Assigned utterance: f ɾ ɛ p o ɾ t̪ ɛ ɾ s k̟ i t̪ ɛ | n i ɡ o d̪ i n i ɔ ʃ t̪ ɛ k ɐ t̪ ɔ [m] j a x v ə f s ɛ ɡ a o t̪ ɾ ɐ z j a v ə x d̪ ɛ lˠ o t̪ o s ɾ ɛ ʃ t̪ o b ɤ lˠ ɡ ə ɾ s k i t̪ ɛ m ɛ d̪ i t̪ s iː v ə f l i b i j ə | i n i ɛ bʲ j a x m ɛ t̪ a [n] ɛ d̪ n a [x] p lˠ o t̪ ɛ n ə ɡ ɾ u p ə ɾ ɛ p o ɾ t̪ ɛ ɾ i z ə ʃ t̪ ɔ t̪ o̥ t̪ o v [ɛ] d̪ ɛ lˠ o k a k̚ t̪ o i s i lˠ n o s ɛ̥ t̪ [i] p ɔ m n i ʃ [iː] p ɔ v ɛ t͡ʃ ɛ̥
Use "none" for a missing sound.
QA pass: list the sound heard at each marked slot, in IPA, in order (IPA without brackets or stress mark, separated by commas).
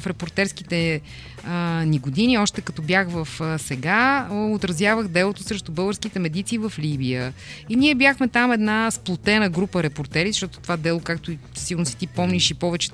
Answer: b, m, s, a, i, i